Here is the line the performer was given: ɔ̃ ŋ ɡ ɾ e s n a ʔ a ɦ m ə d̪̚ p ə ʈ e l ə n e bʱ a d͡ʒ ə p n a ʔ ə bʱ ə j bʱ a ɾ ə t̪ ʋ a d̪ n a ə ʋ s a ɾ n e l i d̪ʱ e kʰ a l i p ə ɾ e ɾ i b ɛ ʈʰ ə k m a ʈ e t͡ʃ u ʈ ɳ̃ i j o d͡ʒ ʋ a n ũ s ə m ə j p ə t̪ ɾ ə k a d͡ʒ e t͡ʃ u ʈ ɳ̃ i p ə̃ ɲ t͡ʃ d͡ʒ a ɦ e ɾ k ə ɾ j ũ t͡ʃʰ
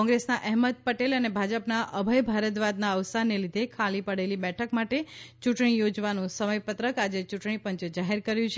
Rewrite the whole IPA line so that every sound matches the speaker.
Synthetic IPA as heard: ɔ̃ ŋ ɡ ɾ e s n a ʔ ɛ ɦ m ə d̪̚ p ə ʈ e l ə n e bʱ a d͡ʒ ə p n a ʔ ə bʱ ə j bʱ a ɾ ə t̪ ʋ a d̪ n a ə ʋ s a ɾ n e l i d̪ʱ e kʰ a l i p ə ɽ e l i b ɛ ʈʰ ə k m a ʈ e t͡ʃ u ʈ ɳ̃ i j o d͡ʒ ʋ a n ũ s ə m ə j p ə t̪ ɾ ə k a d͡ʒ e t͡ʃ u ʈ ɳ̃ i p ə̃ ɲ t͡ʃ d͡ʒ a ɦ e ɾ k ə ɾ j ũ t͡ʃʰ